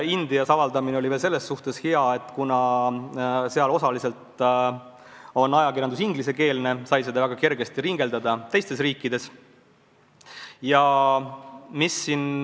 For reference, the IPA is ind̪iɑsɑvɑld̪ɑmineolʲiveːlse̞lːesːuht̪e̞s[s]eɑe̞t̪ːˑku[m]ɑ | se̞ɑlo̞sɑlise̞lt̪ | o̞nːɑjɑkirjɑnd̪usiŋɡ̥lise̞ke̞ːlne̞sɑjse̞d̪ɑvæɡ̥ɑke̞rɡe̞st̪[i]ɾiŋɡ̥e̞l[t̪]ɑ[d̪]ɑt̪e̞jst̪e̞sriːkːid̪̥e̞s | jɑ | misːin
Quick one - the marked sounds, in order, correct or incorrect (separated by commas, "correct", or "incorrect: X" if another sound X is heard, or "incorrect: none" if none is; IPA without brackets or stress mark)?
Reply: incorrect: h, incorrect: n, correct, incorrect: d̪, correct